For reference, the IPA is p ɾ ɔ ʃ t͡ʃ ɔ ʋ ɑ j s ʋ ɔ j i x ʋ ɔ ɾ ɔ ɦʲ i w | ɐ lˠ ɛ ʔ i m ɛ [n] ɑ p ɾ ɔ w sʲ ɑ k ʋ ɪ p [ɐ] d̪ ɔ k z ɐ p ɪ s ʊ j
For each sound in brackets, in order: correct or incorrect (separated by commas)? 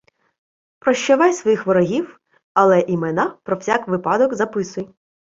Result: correct, incorrect